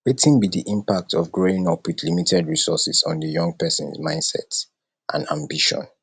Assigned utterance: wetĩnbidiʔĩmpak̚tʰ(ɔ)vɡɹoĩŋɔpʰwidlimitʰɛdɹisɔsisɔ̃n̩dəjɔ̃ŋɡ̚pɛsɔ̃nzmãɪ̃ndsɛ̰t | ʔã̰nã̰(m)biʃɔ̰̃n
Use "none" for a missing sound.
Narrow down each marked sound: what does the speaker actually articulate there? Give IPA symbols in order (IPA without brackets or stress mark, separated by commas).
ɔ, m